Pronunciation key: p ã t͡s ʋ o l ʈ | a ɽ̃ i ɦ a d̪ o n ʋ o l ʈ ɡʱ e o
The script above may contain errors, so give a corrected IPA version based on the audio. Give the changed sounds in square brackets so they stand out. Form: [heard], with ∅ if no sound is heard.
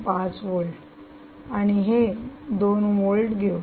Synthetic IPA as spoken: p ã t͡s ʋ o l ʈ | a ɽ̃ i ɦ [e] d̪ o n ʋ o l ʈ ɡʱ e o